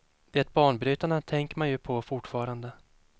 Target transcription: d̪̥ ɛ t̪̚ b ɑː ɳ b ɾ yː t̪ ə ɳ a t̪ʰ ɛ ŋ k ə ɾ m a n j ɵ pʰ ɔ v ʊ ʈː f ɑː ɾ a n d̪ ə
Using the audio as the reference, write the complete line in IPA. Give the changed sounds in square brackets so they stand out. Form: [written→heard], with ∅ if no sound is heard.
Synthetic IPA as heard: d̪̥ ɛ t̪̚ b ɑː ɳ b ɾ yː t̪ [ə→a] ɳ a t̪ʰ ɛ ŋ k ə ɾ m a n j ɵ pʰ ɔ [v→f] ʊ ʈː f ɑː ɾ a n d̪ ə